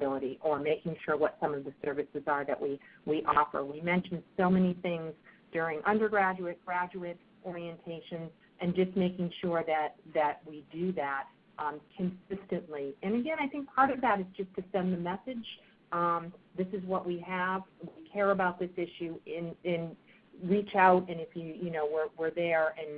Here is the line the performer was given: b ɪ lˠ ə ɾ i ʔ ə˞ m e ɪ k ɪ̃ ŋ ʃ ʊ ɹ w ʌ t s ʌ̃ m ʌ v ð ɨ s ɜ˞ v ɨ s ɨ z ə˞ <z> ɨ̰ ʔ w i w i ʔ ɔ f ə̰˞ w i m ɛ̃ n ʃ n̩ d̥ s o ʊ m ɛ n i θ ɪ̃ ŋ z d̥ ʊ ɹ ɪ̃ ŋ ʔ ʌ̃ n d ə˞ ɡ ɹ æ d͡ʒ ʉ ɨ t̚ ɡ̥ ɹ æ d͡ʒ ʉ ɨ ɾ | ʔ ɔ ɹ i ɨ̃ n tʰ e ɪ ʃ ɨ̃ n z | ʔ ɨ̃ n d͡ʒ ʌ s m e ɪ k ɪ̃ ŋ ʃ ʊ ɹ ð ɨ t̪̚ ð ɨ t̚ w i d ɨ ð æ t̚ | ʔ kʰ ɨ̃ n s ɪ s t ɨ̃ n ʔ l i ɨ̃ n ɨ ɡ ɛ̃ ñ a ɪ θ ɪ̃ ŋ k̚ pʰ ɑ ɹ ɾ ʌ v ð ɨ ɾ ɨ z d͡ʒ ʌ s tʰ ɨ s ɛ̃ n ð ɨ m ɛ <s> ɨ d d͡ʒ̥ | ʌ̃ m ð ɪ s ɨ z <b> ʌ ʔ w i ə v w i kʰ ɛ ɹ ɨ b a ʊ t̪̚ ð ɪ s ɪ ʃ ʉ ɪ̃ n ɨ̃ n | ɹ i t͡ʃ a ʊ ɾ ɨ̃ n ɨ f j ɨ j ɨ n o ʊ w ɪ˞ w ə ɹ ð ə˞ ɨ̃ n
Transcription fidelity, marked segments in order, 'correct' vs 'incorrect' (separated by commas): incorrect, correct, incorrect